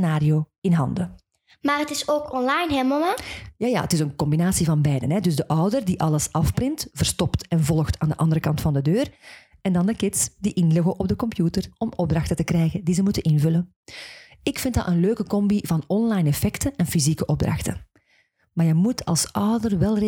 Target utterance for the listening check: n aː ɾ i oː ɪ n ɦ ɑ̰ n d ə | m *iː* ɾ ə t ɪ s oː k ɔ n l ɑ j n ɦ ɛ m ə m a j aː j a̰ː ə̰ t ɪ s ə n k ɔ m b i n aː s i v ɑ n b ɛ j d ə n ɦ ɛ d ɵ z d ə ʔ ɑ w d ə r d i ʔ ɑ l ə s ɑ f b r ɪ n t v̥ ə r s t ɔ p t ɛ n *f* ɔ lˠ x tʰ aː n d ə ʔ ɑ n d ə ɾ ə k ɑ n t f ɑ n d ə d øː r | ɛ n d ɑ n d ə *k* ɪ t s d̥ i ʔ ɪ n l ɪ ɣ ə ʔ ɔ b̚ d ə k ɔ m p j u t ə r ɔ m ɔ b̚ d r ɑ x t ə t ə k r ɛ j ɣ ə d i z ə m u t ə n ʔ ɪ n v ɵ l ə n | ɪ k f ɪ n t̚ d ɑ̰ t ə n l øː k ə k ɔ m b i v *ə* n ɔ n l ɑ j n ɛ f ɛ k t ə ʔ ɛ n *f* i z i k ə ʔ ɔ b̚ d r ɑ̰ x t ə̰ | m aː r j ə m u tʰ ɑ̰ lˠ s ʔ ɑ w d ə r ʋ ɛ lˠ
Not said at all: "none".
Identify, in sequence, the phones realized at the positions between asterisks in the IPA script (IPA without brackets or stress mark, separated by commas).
aː, v, k, ɑ, f